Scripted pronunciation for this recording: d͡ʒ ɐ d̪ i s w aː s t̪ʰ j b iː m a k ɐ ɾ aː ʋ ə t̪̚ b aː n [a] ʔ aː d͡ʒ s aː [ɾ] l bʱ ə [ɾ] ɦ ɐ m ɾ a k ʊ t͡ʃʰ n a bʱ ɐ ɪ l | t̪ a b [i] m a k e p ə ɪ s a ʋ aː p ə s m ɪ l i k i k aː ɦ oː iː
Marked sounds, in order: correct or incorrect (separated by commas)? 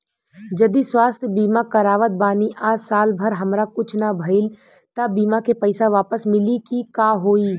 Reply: incorrect, incorrect, correct, incorrect